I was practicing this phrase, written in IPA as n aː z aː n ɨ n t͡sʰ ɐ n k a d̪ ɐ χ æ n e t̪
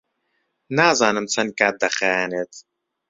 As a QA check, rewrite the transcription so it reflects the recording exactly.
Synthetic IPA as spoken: n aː z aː n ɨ m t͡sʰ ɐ n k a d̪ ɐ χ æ n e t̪